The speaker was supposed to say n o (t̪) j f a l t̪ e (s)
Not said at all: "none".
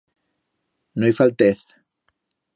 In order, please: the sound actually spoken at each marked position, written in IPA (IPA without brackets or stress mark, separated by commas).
none, θ